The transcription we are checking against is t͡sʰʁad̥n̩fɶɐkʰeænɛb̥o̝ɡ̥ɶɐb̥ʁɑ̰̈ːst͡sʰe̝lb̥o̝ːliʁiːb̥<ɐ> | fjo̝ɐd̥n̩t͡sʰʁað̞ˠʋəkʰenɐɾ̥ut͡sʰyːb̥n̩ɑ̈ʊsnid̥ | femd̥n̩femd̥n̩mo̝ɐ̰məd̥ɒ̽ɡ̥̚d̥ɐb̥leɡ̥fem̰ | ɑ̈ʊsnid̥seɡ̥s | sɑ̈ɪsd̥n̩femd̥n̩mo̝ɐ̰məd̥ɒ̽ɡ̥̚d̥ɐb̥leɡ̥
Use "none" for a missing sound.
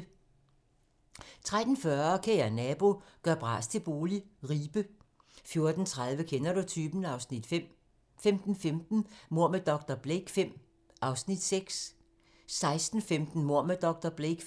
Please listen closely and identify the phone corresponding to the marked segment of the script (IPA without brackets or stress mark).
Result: ə